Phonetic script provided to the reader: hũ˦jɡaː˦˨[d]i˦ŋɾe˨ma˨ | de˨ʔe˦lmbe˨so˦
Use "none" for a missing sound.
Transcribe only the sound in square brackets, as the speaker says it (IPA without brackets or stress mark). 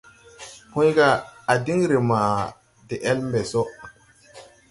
d